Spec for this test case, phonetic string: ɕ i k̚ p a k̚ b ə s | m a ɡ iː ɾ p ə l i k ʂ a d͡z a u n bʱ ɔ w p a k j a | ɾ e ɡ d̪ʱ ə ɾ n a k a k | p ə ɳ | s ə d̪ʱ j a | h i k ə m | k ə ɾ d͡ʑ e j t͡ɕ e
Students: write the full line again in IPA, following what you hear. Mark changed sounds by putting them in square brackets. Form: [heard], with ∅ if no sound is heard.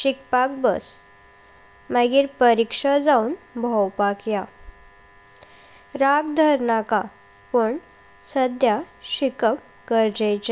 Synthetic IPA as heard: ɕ i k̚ p a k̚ b ə s | m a ɡ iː ɾ p ə [ɾ] i k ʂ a d͡z a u n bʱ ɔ w p a k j a | ɾ [a] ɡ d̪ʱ ə ɾ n a k a [∅] | p ə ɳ | s ə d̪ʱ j a | [ɕ] i k ə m | k ə ɾ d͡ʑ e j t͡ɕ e

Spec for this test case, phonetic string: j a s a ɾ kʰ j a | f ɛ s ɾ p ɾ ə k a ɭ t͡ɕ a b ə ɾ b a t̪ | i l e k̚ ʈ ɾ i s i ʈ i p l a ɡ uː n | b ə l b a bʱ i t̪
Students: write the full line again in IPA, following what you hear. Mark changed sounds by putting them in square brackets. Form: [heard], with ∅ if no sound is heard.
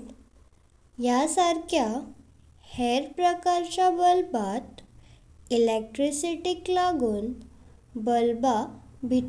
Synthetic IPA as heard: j a s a ɾ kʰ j a | [h] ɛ [∅] ɾ p ɾ ə k a [ɾ] t͡ɕ a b ə [l] b a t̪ | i l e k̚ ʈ ɾ i s i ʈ i [k] l a ɡ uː n | b ə l b a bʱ i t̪

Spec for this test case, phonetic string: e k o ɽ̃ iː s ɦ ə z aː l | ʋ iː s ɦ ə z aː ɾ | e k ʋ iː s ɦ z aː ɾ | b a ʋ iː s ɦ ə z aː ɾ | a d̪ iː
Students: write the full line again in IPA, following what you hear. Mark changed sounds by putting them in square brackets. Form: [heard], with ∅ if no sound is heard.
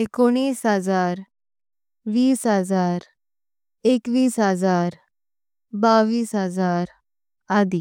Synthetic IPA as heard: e k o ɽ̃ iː s ɦ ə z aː [ɾ] | ʋ iː s ɦ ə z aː ɾ | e k ʋ iː s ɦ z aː ɾ | b a ʋ iː s ɦ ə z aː ɾ | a d̪ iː

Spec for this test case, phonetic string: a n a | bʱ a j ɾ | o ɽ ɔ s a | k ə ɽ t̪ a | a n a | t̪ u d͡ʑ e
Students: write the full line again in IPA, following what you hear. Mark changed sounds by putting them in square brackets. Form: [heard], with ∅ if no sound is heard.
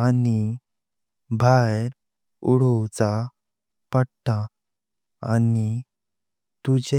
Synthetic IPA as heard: a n [i] | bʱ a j ɾ | [u] ɽ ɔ [t͡s] a | [p] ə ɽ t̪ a | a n [i] | t̪ u d͡ʑ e

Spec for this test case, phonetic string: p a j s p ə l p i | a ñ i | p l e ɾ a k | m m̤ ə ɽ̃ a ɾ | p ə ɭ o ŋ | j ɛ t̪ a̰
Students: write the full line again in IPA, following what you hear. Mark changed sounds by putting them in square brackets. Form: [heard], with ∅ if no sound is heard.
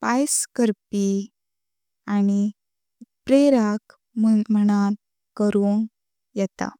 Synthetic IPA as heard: p a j s [k] ə [ɾ] p i | a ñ i | p [ɾ] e ɾ a k | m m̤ ə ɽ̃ a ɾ | [k] ə [ɾ] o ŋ | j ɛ t̪ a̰

